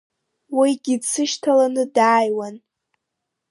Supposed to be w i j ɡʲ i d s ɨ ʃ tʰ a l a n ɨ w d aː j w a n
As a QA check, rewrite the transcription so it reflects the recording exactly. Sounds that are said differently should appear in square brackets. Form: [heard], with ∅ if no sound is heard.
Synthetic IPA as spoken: w i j ɡʲ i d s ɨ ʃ tʰ a l a n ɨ [∅] d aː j w a n